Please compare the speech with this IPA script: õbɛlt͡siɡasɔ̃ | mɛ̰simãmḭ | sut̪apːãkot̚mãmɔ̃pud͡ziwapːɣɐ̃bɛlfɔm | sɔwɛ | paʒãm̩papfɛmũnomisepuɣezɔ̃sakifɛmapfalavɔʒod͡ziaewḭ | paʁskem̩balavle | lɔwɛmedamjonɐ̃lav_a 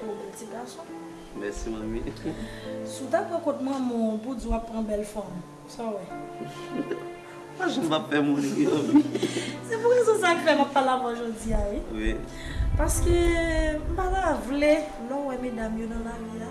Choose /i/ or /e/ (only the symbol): i